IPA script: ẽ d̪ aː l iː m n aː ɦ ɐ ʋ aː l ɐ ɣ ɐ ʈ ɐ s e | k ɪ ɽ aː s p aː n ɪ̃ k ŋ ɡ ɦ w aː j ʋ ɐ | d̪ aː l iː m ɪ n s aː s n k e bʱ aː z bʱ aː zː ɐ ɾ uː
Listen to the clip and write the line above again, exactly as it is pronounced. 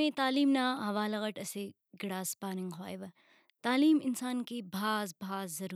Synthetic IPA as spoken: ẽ t̪ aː l iː m n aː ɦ ɐ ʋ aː l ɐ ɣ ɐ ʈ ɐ s e | ɡ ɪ ɽ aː s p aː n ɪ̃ ŋ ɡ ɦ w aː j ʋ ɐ | t̪ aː l iː m ɪ n s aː n k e bʱ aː z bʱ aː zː ɐ ɾ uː